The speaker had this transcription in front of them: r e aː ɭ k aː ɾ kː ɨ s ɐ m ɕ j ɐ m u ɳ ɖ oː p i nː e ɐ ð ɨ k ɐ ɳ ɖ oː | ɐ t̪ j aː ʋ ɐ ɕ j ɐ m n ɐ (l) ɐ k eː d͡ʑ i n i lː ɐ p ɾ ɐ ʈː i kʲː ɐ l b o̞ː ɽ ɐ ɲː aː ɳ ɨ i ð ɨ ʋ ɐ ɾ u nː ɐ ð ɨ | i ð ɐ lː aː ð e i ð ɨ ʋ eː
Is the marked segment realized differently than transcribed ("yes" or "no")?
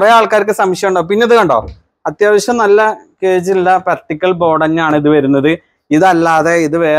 yes